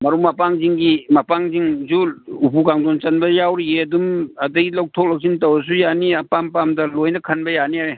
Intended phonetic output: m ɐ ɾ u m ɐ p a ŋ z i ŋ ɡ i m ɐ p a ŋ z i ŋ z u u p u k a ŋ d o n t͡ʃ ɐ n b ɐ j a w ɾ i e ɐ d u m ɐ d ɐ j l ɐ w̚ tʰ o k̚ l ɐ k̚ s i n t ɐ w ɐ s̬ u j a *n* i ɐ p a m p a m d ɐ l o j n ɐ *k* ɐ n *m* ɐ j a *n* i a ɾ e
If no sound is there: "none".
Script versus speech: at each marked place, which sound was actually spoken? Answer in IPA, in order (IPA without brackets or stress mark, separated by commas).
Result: n, kʰ, b, n